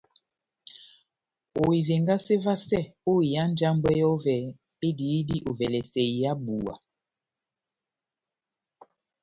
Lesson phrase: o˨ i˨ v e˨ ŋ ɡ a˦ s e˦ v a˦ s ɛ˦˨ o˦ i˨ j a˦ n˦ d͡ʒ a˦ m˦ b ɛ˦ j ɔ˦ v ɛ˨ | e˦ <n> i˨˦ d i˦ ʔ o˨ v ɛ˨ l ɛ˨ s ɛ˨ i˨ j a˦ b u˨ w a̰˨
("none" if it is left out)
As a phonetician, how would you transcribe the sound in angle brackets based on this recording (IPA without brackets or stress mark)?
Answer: d